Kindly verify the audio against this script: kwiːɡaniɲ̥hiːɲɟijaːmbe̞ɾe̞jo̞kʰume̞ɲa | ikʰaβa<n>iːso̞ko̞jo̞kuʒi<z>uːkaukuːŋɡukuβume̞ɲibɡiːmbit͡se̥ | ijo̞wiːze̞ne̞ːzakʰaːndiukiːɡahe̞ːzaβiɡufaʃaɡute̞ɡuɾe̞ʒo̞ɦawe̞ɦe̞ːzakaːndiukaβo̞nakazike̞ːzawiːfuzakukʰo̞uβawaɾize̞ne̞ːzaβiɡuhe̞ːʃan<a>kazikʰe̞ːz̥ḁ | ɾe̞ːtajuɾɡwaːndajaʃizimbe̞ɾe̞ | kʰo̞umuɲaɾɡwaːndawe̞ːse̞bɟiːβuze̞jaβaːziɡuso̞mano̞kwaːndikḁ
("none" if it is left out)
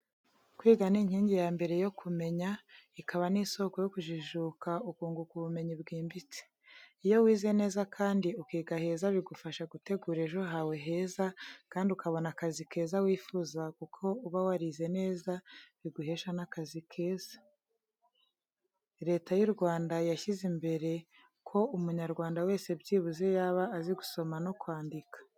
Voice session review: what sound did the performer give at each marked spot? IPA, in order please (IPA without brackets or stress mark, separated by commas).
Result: n, ʒ, a